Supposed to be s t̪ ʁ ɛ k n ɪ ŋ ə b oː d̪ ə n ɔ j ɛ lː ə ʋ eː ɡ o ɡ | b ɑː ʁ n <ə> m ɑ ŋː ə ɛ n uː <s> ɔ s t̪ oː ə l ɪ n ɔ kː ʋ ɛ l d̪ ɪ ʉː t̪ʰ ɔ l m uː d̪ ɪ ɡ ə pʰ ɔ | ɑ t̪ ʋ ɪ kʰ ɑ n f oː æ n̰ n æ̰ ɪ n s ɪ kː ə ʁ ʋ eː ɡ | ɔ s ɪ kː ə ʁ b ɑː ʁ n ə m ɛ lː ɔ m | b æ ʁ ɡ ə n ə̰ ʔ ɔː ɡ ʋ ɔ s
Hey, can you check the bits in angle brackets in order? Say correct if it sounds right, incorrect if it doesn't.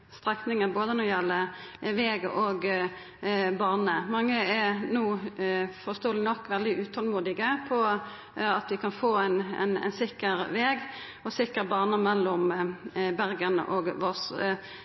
correct, incorrect: f

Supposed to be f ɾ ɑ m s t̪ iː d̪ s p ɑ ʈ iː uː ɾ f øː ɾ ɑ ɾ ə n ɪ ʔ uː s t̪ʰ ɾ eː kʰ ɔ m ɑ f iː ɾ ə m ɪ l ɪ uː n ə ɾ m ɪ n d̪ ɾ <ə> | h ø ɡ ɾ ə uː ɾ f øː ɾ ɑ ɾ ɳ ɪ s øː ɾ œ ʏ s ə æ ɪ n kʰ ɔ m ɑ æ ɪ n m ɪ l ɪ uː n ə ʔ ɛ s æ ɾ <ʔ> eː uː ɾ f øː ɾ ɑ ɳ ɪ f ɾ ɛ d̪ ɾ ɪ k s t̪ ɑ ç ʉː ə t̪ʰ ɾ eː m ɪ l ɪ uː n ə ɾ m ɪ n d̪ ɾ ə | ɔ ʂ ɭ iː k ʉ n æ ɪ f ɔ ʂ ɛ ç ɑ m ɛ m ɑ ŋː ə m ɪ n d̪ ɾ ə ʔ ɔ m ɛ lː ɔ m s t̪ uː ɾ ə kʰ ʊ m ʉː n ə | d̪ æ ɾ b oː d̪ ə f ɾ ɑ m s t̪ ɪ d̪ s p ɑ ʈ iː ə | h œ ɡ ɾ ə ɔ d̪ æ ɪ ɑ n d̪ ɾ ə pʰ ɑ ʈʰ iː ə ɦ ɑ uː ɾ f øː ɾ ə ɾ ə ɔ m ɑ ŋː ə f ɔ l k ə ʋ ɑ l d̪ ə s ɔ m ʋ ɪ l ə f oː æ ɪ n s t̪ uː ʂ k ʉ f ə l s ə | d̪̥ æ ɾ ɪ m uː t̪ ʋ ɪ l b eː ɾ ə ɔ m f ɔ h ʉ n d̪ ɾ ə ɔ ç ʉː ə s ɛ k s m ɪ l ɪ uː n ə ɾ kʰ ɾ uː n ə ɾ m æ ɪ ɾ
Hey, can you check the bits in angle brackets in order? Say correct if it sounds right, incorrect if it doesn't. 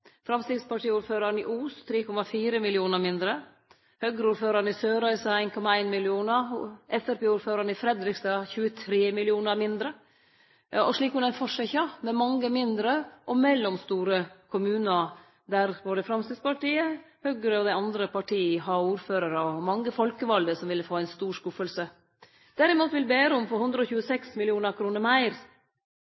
correct, incorrect: p

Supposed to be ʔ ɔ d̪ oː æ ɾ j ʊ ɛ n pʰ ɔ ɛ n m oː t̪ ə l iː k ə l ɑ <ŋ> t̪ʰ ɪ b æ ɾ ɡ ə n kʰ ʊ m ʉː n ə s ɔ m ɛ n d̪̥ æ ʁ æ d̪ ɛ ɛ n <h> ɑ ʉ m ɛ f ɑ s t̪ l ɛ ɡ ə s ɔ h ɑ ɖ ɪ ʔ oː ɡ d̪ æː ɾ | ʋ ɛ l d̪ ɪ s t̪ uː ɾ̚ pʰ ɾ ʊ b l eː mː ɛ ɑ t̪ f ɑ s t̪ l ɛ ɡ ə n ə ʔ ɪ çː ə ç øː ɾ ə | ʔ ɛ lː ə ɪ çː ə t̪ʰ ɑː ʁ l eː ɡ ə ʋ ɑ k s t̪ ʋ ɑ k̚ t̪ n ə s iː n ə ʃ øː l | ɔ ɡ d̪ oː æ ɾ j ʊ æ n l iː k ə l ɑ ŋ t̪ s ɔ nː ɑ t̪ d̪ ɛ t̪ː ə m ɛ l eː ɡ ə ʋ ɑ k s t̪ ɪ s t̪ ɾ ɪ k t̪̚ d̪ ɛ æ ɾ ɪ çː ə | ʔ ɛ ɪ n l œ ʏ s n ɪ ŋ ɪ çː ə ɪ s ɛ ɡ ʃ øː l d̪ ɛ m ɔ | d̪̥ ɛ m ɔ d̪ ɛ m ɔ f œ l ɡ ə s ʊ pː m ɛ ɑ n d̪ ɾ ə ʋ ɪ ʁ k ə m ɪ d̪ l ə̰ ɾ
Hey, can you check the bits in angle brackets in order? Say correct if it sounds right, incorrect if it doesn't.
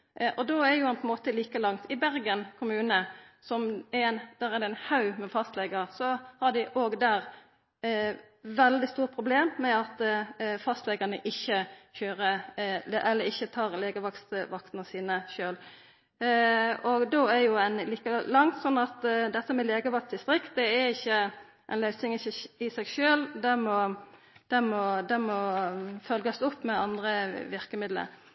correct, correct

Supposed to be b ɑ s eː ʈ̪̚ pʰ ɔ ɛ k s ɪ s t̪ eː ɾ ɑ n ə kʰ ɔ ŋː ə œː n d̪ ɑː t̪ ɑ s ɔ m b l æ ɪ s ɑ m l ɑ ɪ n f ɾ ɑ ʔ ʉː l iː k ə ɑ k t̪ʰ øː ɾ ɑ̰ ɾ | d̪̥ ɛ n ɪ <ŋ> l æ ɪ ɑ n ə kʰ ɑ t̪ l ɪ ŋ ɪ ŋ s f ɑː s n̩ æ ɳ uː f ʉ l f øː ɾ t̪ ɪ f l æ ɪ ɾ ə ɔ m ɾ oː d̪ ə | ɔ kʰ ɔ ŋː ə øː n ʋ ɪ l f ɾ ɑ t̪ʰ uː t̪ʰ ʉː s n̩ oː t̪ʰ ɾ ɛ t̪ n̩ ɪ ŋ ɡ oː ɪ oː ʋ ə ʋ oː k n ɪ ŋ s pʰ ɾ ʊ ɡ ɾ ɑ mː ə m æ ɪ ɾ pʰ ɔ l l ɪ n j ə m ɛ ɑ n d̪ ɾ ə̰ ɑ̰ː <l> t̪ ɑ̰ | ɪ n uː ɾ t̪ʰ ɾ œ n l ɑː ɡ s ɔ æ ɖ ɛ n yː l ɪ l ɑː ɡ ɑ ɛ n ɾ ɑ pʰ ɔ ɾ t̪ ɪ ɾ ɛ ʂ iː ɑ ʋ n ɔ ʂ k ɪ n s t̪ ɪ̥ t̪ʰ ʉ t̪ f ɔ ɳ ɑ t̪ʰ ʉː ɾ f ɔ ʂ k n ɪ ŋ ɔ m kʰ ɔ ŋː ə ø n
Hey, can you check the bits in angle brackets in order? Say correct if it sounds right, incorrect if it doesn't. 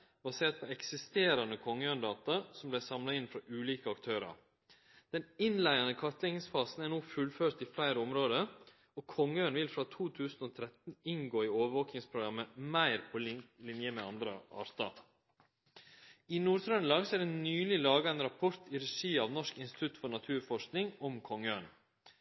incorrect: n, incorrect: ɾ

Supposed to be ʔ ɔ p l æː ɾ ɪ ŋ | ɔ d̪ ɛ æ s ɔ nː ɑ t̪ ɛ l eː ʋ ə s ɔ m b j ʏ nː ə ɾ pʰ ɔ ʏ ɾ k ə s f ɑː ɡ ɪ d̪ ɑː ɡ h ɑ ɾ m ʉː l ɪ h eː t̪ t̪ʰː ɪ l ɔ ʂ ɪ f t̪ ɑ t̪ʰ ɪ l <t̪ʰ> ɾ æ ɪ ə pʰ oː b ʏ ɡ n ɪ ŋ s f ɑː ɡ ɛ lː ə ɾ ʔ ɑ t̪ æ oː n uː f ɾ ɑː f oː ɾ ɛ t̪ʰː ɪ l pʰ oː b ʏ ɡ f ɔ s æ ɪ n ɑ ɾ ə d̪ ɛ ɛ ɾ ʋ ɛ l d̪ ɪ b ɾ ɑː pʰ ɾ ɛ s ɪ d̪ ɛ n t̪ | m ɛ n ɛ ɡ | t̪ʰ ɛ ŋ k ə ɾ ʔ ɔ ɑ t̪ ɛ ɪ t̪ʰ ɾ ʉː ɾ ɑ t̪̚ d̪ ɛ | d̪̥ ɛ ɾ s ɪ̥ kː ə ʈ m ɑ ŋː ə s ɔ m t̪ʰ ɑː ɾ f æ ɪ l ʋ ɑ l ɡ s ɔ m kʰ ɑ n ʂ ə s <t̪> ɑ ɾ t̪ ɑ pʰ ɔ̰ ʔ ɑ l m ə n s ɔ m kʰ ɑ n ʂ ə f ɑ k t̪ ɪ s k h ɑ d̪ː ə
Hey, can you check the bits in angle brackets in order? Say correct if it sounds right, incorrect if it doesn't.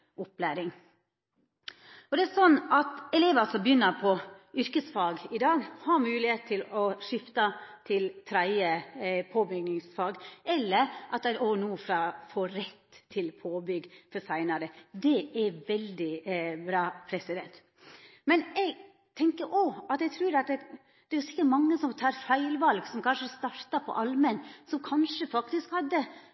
correct, correct

